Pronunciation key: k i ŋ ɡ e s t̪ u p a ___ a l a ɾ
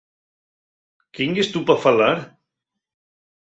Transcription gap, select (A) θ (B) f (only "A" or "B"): B